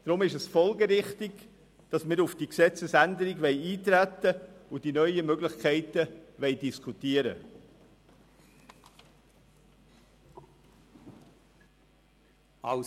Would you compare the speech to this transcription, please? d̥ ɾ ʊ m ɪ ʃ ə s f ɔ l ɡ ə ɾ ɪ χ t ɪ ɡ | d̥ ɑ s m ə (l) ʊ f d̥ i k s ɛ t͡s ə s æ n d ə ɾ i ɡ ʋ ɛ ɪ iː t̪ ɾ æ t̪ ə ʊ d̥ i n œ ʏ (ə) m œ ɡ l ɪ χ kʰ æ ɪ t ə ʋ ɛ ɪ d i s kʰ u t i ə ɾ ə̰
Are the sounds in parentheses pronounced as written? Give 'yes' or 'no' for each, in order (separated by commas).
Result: no, yes